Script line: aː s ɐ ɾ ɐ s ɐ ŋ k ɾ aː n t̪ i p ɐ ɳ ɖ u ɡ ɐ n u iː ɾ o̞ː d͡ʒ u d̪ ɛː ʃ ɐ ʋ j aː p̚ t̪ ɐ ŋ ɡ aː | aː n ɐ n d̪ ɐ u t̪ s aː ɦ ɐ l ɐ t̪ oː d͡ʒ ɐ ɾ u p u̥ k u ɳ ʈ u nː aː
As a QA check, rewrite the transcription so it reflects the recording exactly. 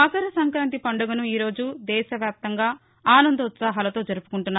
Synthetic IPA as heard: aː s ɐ ɾ ɐ s ɐ ŋ k ɾ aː n t̪ i p ɐ ɳ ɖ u ɡ ɐ n u iː ɾ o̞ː d͡ʒ u d̪ ɛː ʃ ɐ ʋ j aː p̚ t̪ ɐ ŋ ɡ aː | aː n ɐ n d̪ ɐ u t̪ s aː ɦ ɐ l ɐ t̪ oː d͡ʒ ɐ ɾ u p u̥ k u ɳ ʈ u nː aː